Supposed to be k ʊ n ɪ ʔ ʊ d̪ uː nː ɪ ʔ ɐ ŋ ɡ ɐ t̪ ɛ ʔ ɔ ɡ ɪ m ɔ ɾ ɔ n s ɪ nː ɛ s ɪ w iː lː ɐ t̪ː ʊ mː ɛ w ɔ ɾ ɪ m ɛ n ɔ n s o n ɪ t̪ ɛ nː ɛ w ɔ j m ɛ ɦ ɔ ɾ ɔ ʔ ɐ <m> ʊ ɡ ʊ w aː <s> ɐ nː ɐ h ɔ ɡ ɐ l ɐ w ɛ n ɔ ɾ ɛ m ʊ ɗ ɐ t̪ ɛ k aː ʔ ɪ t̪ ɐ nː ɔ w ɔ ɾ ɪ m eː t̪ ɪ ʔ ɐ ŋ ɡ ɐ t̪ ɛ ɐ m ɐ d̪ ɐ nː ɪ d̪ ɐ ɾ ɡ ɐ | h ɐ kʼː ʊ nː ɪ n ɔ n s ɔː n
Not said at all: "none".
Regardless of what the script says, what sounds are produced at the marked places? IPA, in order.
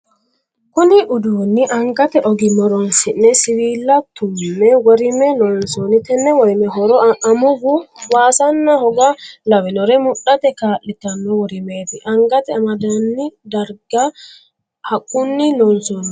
m, s

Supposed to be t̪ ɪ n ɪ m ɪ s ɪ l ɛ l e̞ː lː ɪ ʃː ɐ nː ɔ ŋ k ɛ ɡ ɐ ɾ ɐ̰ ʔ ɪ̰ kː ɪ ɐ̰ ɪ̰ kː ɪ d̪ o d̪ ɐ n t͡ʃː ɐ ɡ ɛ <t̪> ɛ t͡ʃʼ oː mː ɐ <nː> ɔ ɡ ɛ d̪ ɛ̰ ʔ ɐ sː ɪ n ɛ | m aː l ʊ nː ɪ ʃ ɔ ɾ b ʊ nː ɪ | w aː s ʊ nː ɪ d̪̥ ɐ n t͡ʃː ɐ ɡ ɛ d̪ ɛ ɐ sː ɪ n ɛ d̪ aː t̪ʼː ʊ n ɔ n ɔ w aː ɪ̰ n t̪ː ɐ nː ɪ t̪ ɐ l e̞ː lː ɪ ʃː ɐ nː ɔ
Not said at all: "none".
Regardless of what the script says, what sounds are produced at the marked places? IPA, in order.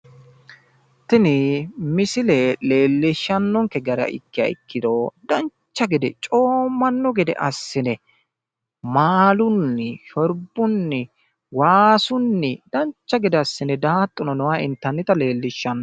d̪, nː

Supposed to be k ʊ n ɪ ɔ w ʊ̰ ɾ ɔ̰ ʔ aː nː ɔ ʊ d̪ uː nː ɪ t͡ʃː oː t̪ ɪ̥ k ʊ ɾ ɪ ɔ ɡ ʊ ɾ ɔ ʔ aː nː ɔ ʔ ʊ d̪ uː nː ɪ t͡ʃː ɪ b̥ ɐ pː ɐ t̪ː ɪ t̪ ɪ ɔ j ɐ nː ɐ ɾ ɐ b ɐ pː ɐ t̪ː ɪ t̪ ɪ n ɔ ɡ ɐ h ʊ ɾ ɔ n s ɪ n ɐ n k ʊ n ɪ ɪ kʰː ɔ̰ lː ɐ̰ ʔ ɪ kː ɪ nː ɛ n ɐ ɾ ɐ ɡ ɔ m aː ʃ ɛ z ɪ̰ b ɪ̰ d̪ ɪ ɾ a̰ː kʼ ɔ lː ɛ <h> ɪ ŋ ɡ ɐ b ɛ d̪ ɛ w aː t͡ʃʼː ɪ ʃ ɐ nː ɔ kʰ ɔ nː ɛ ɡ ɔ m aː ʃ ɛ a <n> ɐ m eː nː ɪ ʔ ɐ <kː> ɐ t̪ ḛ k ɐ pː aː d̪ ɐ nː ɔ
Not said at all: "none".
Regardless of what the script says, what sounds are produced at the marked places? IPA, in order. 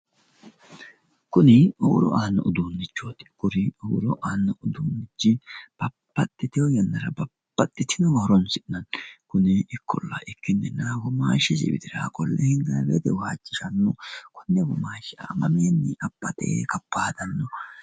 h, m, pː

